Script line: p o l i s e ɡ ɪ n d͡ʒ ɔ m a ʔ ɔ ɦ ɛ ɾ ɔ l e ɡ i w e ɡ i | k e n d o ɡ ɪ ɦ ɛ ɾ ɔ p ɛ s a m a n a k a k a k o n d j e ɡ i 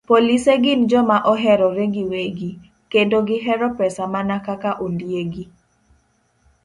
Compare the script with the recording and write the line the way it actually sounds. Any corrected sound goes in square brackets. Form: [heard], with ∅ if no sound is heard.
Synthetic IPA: p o l i s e ɡ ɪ n d͡ʒ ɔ m a ʔ ɔ ɦ ɛ ɾ ɔ [ɾ] e ɡ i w e ɡ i | k e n d o ɡ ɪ ɦ ɛ ɾ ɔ p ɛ s a m a n a k a k a [ʔ] o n d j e ɡ i